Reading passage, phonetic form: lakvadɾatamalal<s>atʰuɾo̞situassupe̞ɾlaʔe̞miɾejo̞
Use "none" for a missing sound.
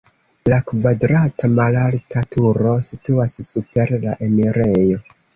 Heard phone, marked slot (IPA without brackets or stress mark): t